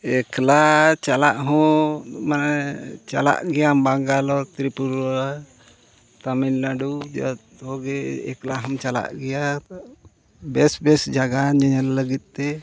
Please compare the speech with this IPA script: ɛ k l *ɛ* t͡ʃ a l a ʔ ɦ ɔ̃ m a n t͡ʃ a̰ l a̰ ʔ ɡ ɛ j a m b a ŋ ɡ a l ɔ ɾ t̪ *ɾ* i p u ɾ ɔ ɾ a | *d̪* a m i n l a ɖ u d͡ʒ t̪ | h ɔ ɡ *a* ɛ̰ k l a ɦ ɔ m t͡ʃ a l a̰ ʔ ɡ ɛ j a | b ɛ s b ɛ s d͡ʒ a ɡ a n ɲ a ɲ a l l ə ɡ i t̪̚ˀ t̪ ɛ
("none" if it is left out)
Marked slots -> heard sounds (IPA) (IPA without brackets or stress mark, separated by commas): a, ɾ, t̪, ɛ